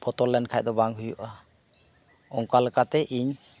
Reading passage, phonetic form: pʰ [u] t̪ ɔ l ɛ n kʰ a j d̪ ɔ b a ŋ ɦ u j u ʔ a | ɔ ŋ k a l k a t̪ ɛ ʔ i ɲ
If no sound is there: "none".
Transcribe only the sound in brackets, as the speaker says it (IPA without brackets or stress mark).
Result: ɔ